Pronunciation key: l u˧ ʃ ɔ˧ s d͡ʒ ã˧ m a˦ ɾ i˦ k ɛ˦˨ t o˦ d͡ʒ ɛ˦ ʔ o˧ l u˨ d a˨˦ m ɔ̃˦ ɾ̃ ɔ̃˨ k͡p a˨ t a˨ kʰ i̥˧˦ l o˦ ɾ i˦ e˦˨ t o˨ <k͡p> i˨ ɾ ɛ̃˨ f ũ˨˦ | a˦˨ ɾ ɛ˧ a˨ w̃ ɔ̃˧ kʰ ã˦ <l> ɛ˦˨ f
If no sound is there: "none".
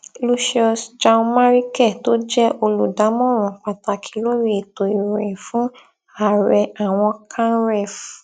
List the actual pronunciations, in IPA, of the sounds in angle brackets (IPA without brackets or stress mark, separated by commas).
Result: none, ɾ